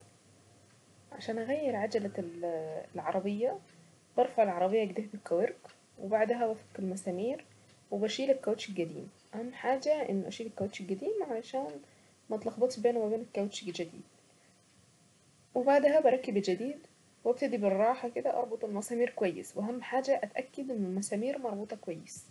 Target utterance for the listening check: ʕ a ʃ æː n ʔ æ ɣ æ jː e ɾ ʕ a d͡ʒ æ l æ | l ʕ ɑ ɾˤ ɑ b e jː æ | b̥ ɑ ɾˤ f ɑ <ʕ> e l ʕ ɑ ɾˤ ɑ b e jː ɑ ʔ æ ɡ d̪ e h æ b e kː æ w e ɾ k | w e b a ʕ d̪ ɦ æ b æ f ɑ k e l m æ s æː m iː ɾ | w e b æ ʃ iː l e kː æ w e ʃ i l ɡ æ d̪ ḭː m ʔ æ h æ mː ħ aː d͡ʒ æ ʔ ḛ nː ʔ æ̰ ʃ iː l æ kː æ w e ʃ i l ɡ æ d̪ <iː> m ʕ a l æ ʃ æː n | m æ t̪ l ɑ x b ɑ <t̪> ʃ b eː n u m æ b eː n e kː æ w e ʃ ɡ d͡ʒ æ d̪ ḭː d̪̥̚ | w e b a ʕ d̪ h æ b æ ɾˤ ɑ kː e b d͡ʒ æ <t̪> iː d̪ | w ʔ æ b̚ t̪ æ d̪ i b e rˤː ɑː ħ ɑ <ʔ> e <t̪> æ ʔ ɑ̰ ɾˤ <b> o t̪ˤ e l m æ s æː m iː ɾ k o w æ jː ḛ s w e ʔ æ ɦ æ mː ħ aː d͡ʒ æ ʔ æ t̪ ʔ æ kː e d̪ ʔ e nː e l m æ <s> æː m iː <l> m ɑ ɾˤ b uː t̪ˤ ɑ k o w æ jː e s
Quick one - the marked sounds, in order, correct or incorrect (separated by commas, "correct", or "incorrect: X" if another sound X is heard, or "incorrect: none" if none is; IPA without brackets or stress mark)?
correct, correct, correct, incorrect: d̪, incorrect: k, incorrect: d̪, correct, correct, incorrect: ɾ